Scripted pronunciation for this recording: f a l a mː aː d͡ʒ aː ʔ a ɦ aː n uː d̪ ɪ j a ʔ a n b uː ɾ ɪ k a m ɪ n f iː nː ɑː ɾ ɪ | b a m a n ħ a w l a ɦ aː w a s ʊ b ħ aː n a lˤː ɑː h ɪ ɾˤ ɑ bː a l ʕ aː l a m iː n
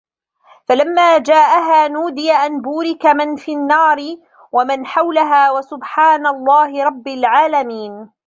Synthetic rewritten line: f a l a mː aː d͡ʒ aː ʔ a ɦ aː n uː d̪ ɪ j a ʔ a n b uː ɾ ɪ k a m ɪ n f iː nː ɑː ɾ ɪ | w a m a n ħ a w l a ɦ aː w a s ʊ b ħ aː n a lˤː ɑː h ɪ ɾˤ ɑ bː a l ʕ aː l a m iː n